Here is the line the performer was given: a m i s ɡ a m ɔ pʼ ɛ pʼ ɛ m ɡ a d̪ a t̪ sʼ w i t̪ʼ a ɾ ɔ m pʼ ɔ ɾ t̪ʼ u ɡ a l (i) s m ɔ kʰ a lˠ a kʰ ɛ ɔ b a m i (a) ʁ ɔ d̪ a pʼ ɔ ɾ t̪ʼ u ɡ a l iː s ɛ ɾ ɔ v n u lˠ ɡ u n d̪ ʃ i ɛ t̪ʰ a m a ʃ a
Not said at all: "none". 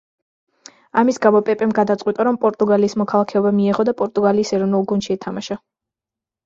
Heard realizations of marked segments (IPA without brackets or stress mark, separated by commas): iː, ɛ